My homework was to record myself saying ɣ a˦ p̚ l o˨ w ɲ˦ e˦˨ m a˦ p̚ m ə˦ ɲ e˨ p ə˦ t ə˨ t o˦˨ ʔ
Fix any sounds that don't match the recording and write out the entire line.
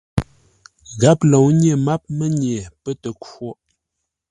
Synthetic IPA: ɣ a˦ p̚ l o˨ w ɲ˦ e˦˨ m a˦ p̚ m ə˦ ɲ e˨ p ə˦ t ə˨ k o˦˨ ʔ